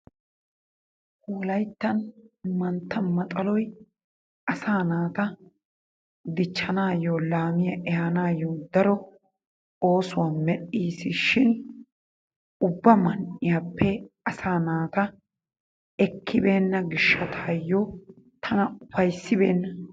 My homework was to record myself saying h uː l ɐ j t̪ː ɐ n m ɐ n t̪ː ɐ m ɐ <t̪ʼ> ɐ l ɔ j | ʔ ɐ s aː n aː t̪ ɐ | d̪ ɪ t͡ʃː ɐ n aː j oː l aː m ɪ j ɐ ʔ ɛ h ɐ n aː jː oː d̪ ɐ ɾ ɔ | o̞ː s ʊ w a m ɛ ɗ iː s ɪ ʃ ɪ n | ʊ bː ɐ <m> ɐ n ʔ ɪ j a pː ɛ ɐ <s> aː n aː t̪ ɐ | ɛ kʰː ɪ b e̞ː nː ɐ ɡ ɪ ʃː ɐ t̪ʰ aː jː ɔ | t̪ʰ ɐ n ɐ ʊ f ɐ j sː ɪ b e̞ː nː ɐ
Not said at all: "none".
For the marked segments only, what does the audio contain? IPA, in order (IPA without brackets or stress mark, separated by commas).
t̪ʼ, m, s